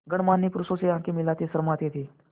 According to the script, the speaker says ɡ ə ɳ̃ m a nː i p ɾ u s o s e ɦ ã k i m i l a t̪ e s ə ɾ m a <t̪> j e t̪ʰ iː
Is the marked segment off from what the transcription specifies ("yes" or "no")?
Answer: no